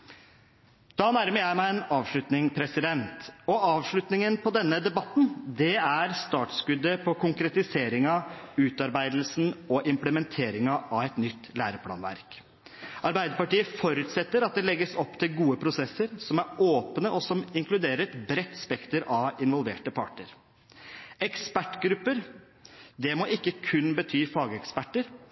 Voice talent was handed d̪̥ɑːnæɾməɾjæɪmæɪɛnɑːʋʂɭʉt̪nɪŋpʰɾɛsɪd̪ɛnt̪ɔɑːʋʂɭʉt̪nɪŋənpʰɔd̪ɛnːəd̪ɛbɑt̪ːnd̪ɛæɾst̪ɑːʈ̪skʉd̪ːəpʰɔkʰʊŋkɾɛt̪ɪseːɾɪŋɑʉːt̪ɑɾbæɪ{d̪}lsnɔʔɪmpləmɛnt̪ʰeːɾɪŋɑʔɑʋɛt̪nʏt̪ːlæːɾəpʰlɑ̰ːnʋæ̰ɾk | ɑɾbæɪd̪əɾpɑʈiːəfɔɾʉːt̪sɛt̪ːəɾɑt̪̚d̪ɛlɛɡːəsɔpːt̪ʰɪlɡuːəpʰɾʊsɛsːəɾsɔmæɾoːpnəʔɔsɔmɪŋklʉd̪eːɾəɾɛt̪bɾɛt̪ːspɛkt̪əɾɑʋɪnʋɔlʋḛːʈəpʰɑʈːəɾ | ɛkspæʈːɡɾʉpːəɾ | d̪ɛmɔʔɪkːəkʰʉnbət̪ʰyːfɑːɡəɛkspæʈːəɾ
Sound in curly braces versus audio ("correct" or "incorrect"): correct